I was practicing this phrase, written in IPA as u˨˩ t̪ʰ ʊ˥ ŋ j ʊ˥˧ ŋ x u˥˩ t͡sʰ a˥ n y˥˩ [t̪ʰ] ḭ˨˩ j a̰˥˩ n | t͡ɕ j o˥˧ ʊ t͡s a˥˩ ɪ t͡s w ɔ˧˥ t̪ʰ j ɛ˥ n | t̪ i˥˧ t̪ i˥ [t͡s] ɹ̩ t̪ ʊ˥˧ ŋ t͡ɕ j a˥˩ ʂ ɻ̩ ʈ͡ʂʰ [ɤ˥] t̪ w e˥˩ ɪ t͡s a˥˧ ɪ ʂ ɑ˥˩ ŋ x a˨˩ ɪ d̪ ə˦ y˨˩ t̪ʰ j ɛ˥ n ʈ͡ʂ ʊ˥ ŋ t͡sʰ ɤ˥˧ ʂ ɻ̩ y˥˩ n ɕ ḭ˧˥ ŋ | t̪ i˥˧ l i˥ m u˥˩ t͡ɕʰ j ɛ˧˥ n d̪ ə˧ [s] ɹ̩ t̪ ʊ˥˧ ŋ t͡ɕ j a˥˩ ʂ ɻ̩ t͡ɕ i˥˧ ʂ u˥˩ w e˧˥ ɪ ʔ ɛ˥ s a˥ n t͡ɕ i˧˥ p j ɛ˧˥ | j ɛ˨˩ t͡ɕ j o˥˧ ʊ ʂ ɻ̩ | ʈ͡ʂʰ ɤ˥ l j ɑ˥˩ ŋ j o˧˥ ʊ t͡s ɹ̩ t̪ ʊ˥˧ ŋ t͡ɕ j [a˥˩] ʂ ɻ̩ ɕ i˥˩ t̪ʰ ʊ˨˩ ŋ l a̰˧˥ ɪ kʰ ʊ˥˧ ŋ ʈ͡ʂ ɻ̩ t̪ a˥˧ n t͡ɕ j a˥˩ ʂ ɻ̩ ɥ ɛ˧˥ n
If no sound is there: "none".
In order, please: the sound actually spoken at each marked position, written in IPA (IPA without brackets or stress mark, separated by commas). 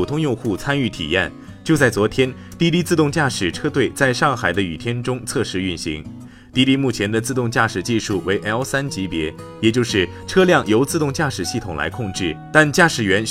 t̪ʰ, t͡s, ɤ˥, t͡s, a˥˩